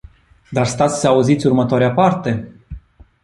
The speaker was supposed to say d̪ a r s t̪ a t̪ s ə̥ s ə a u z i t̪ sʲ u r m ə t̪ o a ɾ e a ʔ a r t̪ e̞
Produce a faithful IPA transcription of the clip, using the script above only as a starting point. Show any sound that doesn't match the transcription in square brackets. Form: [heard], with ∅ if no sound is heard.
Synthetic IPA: d̪ a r s t̪ a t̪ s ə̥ s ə a u z i t̪ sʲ u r m ə t̪ o a ɾ e a [p] a r t̪ e̞